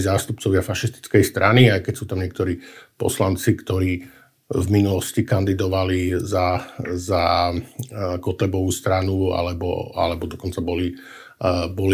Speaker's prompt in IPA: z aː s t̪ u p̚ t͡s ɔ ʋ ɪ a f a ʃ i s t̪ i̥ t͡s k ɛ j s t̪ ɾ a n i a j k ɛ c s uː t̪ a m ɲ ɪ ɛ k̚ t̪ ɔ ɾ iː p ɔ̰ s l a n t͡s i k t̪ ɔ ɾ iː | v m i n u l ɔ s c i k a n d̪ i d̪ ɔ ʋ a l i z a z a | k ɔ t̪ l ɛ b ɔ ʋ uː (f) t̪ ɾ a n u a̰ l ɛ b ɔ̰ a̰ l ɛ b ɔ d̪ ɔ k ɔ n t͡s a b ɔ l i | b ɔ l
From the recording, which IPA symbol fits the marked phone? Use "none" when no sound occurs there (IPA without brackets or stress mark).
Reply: s